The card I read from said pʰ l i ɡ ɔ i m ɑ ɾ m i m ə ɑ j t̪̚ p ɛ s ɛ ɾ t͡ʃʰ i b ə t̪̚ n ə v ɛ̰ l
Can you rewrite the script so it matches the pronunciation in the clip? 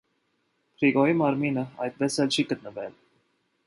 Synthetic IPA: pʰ ɾ i ɡ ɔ i m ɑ ɾ m i n ə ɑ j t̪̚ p ɛ s ɛ l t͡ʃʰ i ɡ ə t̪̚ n ə v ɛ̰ l

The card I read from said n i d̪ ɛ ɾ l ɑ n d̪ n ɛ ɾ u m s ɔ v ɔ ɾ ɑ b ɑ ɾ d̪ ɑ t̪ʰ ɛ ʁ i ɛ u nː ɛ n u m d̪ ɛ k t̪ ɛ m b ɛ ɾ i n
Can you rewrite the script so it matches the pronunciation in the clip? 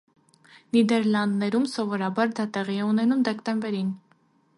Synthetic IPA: n i d̪ ɛ ɾ l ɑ n d̪ n ɛ ɾ u m s ɔ v ɔ ɾ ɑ b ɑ ɾ d̪ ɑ t̪ ɛ ʁ i ɛ u n ɛ n u m d̪ ɛ k t̪ ɛ m b ɛ ɾ i n

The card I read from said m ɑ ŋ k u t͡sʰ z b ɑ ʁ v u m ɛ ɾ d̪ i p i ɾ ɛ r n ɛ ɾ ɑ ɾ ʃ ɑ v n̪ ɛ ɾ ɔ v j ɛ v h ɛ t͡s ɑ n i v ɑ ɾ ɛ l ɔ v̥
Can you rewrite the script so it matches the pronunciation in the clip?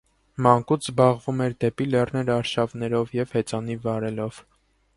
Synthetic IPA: m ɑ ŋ k u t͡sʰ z b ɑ ʁ v u m ɛ ɾ d̪ ɛ p i l ɛ r n ɛ ɾ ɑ ɾ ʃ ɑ v n̪ ɛ ɾ ɔ v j ɛ v h ɛ t͡s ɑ n i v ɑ ɾ ɛ l ɔ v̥

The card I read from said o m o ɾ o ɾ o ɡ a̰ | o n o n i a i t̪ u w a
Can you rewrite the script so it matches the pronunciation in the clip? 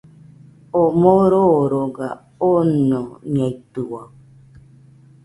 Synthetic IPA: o m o ɾ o ɾ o ɡ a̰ | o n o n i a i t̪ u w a

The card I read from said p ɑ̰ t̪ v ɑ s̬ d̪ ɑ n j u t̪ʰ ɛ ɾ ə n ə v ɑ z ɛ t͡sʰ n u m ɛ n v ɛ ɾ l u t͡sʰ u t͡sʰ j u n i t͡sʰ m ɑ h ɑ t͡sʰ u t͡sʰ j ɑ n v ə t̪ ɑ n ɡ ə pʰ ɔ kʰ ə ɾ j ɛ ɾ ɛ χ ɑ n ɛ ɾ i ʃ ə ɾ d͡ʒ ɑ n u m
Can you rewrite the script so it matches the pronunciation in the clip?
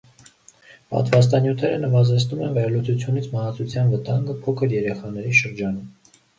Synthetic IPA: p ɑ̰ t̪ v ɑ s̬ t̪ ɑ n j u t̪ʰ ɛ ɾ ə n ə v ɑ z ɛ t͡sʰ n u m ɛ n v ɛ ɾ l u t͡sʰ u t͡sʰ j u n i t͡sʰ m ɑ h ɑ t͡sʰ u t͡sʰ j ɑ n v ə t̪ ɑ ŋ ɡ ə pʰ ɔ kʰ ə ɾ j ɛ ɾ ɛ χ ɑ n ɛ ɾ i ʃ ə ɾ d͡ʒ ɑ n u m

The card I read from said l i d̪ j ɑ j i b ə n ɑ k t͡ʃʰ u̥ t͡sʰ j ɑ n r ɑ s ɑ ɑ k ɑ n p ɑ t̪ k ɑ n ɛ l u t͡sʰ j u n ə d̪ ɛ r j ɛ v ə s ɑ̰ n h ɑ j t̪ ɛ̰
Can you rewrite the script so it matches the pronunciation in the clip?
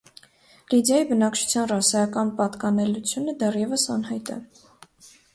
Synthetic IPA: l i d̪ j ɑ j i b ə n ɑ k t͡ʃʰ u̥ t͡sʰ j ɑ n r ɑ s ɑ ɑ k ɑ n p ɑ t̪ k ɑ n ɛ l u t͡sʰ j u n ə d̪ ɛ r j ɛ v ə s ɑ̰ n h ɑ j t̪ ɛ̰

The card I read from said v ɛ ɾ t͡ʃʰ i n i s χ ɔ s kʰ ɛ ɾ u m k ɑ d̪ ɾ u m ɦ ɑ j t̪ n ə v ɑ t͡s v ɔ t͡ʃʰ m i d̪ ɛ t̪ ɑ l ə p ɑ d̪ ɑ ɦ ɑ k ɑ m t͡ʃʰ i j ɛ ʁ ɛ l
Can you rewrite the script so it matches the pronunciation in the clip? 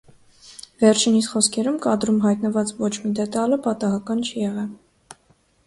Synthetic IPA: v ɛ ɾ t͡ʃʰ i n i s χ ɔ s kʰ ɛ ɾ u m k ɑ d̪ ɾ u m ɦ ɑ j t̪ n ə v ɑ t͡s v ɔ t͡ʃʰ m i d̪ ɛ t̪ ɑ l ə p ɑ t̪ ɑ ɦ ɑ k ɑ n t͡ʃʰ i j ɛ ʁ ɛ l

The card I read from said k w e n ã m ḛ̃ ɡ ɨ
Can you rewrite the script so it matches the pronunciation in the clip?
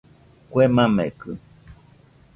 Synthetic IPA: k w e m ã m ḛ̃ k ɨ

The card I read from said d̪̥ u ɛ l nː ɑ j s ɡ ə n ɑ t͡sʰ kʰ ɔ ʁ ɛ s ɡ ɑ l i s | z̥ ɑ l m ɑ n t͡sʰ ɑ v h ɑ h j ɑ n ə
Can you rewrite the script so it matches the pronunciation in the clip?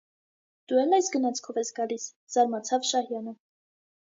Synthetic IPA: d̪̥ u ɛ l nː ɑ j s ɡ ə n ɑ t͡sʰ kʰ ɔ v ɛ s ɡ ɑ l i s | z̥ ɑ ɾ m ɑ t͡sʰ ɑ v ʃ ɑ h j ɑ n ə

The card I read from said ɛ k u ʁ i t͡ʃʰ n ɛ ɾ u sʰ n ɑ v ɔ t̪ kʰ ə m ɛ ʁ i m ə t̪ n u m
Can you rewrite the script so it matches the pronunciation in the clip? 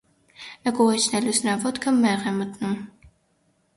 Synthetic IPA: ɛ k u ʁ ɛ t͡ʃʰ n ɛ l u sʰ n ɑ v ɔ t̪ kʰ ə m ɛ ʁ ɛ m ə t̪ n u m

